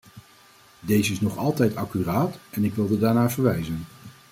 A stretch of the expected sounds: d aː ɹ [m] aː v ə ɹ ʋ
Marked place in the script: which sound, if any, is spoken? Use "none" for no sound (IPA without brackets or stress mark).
n